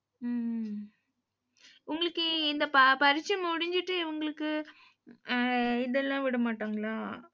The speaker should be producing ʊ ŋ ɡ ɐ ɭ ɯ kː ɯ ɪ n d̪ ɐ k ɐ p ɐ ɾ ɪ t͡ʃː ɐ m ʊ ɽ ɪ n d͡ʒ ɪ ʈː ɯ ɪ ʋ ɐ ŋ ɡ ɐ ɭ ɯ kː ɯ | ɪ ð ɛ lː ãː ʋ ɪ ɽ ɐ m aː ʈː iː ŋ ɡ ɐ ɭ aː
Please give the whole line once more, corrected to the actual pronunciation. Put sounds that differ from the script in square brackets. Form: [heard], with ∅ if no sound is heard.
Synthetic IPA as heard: ʊ ŋ ɡ ɐ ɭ ɯ kː ɯ ɪ n d̪ ɐ [p] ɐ p ɐ ɾ ɪ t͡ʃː ɐ m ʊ ɽ ɪ [ɲ] d͡ʒ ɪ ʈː ɯ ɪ ʋ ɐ ŋ ɡ ɐ ɭ ɯ kː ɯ | ɪ ð ɛ lː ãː ʋ ɪ ɽ ɐ m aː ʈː [aː] ŋ ɡ ɐ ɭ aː